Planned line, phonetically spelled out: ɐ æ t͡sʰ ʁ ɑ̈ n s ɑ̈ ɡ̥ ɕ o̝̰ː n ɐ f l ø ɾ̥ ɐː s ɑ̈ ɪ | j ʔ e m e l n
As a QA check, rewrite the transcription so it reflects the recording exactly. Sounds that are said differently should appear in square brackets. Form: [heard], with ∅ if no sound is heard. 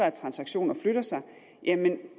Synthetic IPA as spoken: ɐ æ t͡sʰ ʁ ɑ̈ n s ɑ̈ ɡ̥ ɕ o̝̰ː n ɐ f l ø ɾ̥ [ɐ] s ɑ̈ ɪ | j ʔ [æ] m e [∅] n